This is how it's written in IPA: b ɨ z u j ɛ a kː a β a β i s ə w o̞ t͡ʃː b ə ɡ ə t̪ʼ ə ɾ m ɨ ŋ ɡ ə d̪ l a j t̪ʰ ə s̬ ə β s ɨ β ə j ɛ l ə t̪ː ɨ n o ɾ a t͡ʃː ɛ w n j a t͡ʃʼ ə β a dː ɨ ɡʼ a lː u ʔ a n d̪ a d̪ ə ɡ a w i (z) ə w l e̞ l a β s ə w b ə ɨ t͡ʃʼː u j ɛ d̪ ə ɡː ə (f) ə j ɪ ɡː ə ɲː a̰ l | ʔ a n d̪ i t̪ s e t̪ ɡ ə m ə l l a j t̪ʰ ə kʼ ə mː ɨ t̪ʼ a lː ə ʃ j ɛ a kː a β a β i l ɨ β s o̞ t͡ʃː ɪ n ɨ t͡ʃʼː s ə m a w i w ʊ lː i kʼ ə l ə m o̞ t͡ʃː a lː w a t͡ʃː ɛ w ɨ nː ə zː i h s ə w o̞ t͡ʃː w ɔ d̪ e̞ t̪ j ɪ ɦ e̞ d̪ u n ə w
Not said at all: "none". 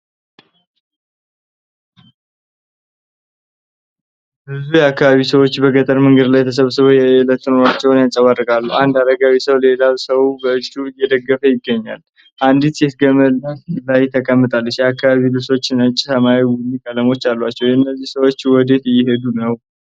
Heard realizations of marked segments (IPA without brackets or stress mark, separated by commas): s, f